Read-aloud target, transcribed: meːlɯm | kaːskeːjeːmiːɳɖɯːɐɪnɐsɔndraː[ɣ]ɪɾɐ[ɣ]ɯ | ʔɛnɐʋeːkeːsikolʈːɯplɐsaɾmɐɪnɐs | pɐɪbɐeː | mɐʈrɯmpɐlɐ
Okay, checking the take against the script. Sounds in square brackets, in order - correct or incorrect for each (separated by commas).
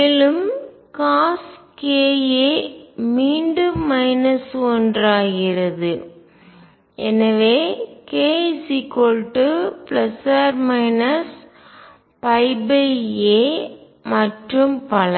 correct, incorrect